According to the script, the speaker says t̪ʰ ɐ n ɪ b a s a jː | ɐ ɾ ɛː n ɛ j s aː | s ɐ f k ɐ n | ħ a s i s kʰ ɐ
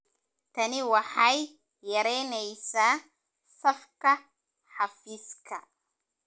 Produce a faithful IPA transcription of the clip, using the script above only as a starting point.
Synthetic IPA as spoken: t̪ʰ ɐ n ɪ w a ħ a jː | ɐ ɾ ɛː n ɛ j s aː | s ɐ f k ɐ | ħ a f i s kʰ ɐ